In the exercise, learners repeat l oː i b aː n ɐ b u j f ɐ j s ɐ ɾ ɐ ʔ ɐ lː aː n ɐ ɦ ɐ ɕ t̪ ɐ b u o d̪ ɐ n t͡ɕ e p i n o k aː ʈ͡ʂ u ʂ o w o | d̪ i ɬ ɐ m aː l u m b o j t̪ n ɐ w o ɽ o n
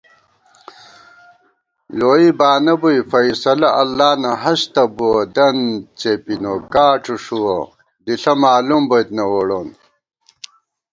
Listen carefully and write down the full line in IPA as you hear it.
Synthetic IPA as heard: l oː i b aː n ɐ b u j f ɐ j s ɐ l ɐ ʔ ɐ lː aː n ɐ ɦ ɐ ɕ t̪ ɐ b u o d̪ ɐ n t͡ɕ e p i n o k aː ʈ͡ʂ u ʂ u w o | d̪ i ɬ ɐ m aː l u m b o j t̪ n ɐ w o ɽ o n